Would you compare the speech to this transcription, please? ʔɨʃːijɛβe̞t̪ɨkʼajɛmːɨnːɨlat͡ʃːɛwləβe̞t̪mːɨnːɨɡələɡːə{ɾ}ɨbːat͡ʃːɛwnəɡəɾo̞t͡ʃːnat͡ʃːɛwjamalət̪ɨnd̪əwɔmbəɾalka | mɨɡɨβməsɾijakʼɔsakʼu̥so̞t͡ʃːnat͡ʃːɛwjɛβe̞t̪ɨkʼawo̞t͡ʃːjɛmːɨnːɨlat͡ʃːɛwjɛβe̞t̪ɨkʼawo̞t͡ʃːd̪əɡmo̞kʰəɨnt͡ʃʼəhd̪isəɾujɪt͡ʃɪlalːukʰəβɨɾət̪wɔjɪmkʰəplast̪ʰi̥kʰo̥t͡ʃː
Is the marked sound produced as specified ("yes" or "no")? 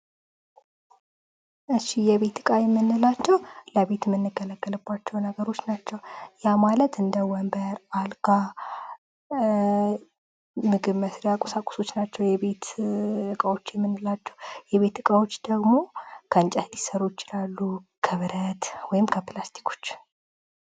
no